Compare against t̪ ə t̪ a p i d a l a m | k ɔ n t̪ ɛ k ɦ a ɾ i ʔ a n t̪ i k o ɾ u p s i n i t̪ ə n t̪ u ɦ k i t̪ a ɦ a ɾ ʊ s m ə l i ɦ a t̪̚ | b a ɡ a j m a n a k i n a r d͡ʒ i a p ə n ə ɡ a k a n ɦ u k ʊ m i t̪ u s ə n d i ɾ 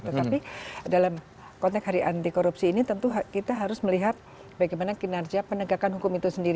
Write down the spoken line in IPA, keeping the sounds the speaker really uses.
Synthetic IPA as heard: t̪ ə t̪ a p i d a l a m | k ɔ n t̪ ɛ k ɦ a ɾ i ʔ a n t̪ i k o ɾ u p s iː n i t̪ ə n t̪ u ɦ k i t̪ a ɦ a ɾ ʊ s m ə l i ɦ a t̪̚ | b a ɡ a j m a n a k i n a r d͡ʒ i a p ə n ə ɡ a k a n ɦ u k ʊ m i t̪ u s ə n d i ɾ

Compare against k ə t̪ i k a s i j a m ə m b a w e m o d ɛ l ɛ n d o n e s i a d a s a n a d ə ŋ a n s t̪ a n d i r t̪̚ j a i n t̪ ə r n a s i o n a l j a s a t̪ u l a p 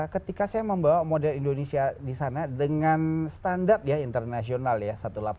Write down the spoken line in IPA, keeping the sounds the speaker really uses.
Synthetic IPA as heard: k ə t̪ i k a s a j a m ə m b a w a m o d ɛ l i n d o n e s i a d i s a n a d ə ŋ a n s t̪ a n d a r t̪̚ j a i n t̪ ə r n a s i o n a l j a s a t̪ u l a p

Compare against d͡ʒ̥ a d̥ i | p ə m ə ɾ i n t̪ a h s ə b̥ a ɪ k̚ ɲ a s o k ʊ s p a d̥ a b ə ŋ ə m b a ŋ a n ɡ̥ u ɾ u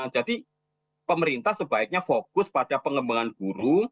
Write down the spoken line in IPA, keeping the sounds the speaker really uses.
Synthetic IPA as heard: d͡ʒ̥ a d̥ i | p ə m ə ɾ i n t̪ a h s ə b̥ a ɪ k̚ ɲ a f o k ʊ s p a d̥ a p ə ŋ ə m b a ŋ a n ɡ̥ u ɾ u

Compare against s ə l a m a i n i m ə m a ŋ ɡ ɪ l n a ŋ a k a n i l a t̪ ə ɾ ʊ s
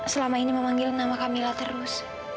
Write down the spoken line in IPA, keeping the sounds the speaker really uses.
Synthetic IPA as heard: s ə l a m a i n i m ə m a ŋ ɡ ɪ l n a m a k a m i l a t̪ ə ɾ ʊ s

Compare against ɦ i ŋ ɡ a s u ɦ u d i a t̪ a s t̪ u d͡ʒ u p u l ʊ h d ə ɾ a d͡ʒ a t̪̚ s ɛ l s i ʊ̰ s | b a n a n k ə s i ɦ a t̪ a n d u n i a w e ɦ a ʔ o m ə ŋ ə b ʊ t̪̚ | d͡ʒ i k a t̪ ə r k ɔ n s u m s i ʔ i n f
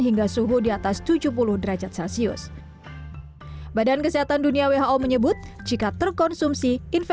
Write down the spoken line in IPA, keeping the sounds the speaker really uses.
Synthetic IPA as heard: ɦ i ŋ ɡ a s u ɦ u d i a t̪ a s t̪ u d͡ʒ u p u l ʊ h d ə ɾ a d͡ʒ a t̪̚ s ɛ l s i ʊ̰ s | b a d a n k ə s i ɦ a t̪ a n d u n i a w e ɦ a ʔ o m ə ɲ ə b ʊ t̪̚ | d͡ʒ i k a t̪ ə r k ɔ n s u m s i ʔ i n f

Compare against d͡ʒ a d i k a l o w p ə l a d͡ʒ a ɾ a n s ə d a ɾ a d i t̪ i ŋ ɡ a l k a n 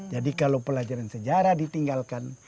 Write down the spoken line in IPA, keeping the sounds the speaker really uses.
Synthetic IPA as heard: d͡ʒ a d i k a l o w p ə l a d͡ʒ a ɾ a n s ə d͡ʒ a ɾ a d i t̪ i ŋ ɡ a l k a n

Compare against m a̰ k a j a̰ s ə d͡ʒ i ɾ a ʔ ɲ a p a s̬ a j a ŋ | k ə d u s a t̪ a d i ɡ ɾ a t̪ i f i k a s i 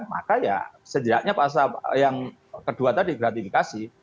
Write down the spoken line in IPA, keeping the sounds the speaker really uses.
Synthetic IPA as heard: m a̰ k a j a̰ s ə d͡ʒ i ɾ a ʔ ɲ a p a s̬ a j a ŋ | k ə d u a t̪ a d i ɡ ɾ a t̪ i f i k a s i

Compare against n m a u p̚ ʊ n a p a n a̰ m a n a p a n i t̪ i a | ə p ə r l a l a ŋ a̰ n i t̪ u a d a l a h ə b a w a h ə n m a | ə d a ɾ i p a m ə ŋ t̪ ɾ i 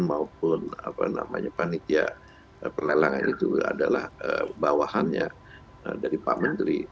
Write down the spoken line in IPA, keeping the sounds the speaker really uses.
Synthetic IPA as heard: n m a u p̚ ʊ n a p a n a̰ m a ɲ a p a n i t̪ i a | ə p ə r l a l a ŋ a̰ n i t̪ u a d a l a h ə b a w a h a n ɲ a | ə d a ɾ i p a m ə n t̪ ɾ i

